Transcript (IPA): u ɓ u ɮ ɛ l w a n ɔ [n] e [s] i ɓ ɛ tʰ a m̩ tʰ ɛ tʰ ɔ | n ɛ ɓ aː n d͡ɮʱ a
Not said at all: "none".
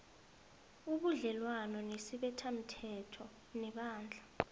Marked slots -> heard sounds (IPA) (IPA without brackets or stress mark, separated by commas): n, s